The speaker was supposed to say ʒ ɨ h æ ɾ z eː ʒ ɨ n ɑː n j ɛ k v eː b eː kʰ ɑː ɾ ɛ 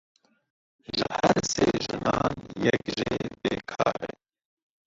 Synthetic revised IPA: ʒ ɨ h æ ɾ s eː ʒ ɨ n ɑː n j ɛ k ʒ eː b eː kʰ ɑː ɾ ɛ